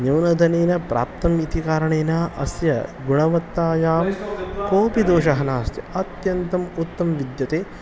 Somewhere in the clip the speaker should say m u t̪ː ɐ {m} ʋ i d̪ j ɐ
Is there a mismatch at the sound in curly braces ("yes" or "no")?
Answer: no